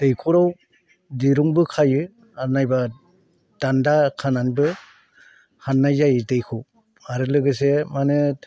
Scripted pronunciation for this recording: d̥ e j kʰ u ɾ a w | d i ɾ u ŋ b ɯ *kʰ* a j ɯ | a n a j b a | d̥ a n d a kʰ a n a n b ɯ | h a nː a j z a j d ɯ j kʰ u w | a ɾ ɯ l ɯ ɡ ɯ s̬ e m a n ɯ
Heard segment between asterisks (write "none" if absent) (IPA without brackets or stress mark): kʰ